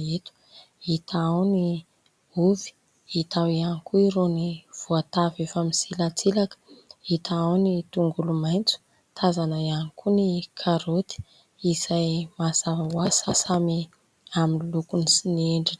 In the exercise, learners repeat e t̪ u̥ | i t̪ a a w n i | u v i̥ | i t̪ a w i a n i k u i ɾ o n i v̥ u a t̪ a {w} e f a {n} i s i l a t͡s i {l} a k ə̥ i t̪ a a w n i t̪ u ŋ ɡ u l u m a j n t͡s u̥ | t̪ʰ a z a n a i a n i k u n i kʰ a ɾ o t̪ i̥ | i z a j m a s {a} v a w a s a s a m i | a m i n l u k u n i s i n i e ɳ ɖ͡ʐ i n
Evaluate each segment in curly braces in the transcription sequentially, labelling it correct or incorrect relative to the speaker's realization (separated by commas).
incorrect, incorrect, correct, correct